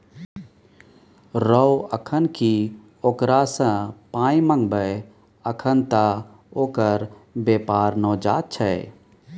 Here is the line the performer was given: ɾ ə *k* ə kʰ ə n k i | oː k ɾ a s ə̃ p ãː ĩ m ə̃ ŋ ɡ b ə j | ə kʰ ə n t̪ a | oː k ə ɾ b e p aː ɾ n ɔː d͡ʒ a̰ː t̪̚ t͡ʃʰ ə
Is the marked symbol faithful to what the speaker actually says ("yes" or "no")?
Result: no